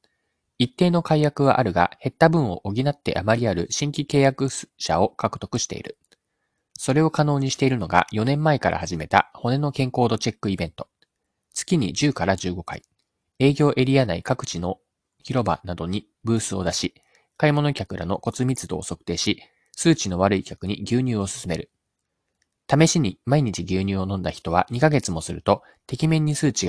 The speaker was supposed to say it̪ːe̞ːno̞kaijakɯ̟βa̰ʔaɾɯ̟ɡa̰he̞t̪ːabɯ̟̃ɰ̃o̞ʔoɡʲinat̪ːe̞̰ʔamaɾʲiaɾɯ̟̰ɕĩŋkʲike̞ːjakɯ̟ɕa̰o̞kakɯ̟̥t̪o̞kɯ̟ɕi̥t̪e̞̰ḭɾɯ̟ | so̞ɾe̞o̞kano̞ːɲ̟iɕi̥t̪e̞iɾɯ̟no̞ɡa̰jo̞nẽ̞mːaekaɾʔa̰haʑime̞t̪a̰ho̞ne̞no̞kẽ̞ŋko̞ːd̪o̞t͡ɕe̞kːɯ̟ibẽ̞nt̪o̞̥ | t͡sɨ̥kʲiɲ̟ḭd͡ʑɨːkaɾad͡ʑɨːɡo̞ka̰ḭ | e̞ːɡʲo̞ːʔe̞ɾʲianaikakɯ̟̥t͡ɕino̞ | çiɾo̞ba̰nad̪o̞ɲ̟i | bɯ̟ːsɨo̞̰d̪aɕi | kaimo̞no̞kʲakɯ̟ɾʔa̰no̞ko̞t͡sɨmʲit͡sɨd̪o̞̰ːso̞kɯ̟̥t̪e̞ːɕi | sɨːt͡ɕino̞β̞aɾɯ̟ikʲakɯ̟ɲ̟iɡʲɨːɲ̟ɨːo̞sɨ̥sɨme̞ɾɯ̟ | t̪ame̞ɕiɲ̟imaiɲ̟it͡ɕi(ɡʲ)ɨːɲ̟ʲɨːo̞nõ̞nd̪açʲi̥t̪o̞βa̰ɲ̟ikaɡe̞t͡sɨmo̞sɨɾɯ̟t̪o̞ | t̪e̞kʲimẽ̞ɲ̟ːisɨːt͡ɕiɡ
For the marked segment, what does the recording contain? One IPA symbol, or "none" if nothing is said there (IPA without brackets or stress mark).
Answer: ɡʲ